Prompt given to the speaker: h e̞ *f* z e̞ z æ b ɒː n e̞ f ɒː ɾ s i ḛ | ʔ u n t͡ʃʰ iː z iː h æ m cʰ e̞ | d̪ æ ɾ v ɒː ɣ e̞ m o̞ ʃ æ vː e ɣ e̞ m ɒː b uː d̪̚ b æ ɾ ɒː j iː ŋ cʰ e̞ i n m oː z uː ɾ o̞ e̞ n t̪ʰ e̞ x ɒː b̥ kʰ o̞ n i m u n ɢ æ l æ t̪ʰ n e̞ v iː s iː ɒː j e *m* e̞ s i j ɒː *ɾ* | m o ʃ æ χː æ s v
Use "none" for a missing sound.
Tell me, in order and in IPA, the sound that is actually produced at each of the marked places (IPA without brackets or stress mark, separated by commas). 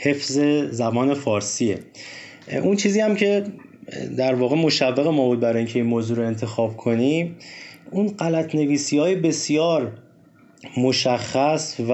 f, b, ɾ